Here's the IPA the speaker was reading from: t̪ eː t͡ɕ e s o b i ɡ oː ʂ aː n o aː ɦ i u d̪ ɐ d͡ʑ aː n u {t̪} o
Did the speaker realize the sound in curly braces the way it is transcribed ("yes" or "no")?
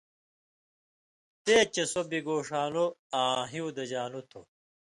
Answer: no